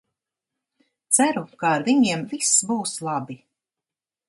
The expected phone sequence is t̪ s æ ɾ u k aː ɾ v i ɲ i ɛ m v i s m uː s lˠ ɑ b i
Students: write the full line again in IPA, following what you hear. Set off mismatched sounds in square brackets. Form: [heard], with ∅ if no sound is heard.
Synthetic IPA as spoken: t̪ s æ ɾ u k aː ɾ v i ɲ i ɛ m v i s [b] uː s lˠ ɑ b i